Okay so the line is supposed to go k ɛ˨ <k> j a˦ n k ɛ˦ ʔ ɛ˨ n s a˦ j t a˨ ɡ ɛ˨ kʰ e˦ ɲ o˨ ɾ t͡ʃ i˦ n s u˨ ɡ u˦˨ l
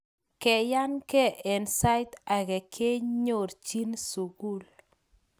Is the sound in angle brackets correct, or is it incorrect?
incorrect: none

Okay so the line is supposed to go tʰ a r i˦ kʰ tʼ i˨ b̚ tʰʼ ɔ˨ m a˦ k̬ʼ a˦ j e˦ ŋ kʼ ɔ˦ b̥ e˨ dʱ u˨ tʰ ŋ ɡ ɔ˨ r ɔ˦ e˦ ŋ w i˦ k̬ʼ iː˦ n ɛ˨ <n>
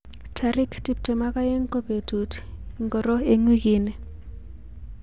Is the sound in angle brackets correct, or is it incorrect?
incorrect: none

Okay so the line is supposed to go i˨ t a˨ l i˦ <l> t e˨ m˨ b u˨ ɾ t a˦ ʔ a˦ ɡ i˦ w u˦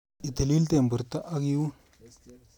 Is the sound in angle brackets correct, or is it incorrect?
correct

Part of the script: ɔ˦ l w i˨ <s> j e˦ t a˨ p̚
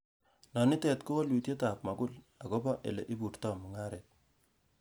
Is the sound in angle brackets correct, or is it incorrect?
incorrect: t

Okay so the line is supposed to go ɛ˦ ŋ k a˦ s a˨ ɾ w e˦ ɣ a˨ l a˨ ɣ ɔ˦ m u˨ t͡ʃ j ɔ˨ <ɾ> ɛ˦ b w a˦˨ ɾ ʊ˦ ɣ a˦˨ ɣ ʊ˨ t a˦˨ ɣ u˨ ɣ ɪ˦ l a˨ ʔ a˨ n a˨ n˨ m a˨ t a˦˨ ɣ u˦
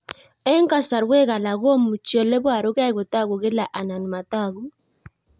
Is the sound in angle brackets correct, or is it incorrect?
incorrect: l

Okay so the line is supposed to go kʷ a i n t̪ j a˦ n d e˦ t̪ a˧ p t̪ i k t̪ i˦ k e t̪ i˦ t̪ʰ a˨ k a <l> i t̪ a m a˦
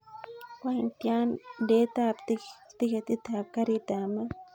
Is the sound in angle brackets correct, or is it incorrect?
incorrect: ɾ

